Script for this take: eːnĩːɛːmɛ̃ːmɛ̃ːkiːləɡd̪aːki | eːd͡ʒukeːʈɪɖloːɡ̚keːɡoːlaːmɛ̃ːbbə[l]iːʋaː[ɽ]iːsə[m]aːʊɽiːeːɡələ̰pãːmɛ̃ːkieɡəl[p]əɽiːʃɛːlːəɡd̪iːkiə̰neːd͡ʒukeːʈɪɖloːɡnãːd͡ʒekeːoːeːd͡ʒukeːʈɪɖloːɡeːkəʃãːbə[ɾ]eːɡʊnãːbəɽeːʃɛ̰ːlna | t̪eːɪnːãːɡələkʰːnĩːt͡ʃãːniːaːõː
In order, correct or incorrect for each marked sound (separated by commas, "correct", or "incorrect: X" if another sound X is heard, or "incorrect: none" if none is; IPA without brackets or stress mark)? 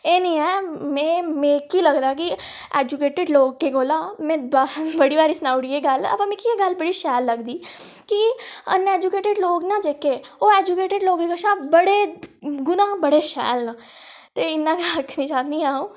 incorrect: ɽ, incorrect: ɾ, incorrect: n, incorrect: b, incorrect: ɽ